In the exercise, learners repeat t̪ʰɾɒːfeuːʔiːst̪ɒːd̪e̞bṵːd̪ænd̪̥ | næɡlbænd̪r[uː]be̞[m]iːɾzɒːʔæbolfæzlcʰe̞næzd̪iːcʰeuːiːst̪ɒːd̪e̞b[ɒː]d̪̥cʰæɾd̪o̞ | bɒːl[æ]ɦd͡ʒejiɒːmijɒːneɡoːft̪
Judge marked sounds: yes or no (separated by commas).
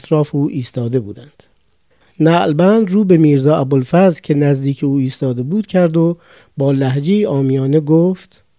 yes, yes, no, yes